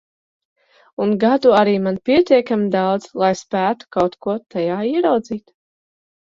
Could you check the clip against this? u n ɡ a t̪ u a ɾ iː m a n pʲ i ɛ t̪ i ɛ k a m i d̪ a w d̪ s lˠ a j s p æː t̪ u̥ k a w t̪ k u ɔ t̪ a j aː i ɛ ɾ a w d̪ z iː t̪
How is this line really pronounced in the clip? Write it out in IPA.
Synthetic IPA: u n ɡ a d̪ u a ɾ iː m a n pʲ i ɛ t̪ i ɛ k a m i d̪ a w d̪ z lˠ a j s p æː t̪ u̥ k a w t̪ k u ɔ t̪ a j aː i ɛ ɾ a w d̪ z iː t̪